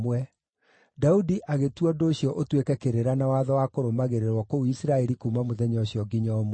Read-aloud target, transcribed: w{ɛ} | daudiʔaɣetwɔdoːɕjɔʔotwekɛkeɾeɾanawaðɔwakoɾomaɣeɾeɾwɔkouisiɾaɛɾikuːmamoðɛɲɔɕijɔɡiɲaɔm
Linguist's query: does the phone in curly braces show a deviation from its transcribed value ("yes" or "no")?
no